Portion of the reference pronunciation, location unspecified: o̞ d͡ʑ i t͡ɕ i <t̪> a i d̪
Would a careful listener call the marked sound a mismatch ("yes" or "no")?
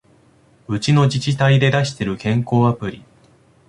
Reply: no